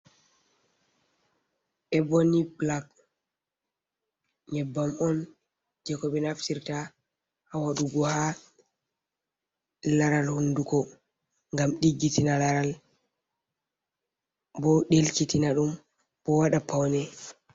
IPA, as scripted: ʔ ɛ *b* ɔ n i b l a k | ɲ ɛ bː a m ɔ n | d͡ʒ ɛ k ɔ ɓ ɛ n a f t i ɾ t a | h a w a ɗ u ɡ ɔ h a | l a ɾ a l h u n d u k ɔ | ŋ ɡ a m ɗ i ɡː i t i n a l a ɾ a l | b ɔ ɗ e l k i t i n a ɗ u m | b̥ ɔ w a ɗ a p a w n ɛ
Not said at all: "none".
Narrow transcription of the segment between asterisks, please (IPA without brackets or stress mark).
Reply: b